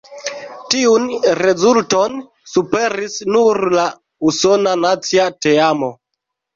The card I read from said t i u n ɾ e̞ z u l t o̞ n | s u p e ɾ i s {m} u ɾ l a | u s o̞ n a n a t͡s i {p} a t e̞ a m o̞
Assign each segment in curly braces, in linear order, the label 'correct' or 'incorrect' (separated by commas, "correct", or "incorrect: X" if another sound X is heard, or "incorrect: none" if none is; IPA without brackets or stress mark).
incorrect: n, incorrect: none